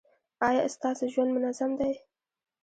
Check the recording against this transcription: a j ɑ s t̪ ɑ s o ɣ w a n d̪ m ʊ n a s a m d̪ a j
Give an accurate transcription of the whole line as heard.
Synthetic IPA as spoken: ɑ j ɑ s t̪ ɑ s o ʒ w a n d̪ m ʊ n a z a m d̪ a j